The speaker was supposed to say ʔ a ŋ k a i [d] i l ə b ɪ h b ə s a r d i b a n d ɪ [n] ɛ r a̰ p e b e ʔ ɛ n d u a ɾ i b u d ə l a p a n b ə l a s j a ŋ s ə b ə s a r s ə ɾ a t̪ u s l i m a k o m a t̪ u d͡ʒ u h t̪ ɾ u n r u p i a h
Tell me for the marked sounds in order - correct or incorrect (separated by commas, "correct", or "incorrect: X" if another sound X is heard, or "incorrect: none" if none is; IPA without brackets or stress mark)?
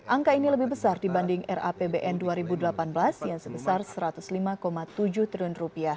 incorrect: n, incorrect: ŋ